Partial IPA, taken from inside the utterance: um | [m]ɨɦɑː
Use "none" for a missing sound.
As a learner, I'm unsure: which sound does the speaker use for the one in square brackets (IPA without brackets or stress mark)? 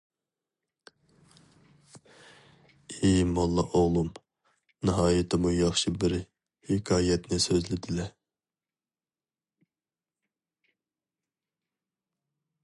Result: n